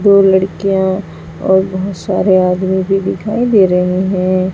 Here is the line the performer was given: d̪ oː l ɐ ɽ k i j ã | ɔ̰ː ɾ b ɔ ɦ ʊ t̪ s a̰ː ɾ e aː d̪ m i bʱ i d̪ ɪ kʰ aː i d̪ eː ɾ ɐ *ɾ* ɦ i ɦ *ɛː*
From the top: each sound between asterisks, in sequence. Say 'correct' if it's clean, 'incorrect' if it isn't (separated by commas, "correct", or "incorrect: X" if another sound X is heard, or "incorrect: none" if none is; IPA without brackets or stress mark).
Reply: incorrect: none, incorrect: ɛ̃ː